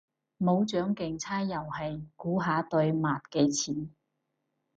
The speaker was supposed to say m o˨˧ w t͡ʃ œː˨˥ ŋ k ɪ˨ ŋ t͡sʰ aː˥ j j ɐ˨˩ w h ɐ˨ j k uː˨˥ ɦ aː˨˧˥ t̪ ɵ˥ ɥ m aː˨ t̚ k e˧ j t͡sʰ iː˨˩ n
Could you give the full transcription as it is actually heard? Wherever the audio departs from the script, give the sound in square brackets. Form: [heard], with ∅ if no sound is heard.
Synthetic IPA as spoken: m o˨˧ w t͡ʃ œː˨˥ ŋ k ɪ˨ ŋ t͡sʰ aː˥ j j ɐ˨˩ w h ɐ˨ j k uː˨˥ ɦ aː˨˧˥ t̪ [ɵ˧] ɥ m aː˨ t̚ k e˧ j t͡sʰ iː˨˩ n